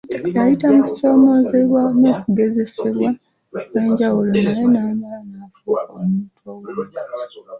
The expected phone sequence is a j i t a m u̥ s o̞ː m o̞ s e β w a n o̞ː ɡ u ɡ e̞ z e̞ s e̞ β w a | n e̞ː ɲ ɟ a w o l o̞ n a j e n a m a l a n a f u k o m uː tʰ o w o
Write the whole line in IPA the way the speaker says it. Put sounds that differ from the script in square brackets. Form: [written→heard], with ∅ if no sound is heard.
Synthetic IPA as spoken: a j i t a m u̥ s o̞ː m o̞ [s→z] e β w a n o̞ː [ɡ→k] u ɡ e̞ z e̞ s e̞ β w a | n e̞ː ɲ ɟ a w [o→u] l o̞ n a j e n a m a l a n a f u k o m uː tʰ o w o